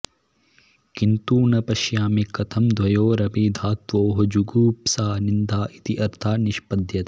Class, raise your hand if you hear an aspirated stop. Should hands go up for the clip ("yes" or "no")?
yes